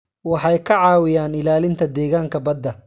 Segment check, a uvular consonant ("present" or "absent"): absent